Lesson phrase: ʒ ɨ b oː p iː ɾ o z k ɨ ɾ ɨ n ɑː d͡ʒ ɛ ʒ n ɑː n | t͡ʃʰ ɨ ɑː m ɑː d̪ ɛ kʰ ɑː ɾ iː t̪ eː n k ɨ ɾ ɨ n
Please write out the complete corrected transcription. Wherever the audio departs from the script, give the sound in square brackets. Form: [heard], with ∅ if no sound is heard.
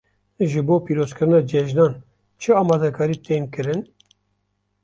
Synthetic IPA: ʒ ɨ b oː p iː ɾ o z k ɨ ɾ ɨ n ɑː d͡ʒ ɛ ʒ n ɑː n | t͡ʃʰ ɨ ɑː m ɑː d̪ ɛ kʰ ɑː ɾ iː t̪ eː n k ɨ ɾ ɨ n